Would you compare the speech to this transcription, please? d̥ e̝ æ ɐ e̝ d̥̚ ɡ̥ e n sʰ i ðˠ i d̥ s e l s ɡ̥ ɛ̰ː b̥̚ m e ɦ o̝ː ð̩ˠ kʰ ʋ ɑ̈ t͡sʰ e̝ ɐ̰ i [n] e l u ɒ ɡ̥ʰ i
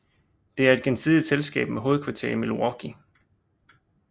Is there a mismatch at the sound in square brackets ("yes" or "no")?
yes